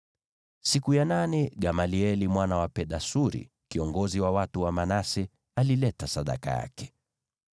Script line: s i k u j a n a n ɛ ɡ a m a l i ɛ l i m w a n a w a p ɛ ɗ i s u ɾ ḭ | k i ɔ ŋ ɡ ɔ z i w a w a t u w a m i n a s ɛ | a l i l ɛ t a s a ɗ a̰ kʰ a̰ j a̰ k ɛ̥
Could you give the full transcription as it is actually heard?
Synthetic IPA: s i k u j a n a n ɛ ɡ a m a l i ɛ l i m w a n a w a p ɛ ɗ a s u ɾ ḭ | k i ɔ ŋ ɡ ɔ z i w a w a t u w a m a n a s ɛ | a l i l ɛ t a s a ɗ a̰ k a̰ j a̰ k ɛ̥